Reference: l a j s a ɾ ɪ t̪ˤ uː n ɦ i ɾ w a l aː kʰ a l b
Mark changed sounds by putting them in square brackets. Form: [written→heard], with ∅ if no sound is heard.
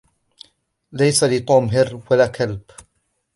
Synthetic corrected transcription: l a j s a [ɾ→l] ɪ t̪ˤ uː [n→m] ɦ [i→ɪ] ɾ w a l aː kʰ a l b